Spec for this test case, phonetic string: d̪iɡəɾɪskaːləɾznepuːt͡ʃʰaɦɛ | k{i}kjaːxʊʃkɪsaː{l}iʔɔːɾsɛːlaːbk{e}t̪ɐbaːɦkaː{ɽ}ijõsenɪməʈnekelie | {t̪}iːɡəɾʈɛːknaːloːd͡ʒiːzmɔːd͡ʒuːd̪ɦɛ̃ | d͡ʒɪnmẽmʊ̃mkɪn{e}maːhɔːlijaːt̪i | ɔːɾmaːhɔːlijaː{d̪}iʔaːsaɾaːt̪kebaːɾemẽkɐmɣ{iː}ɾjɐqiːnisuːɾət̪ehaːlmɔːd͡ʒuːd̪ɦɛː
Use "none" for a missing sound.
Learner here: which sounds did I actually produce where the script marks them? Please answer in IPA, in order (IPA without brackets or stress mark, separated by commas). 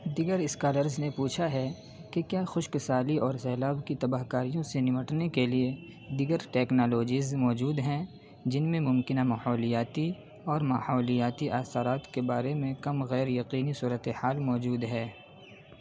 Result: e, l, i, ɾ, d̪, a, t̪, ɛː